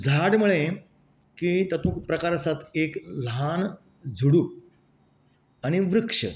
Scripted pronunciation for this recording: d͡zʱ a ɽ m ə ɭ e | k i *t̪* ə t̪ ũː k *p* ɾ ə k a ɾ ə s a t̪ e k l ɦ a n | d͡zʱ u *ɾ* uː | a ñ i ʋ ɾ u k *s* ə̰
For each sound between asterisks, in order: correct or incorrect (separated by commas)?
correct, correct, incorrect, incorrect